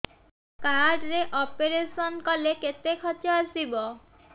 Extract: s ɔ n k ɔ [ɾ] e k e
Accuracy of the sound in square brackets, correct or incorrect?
incorrect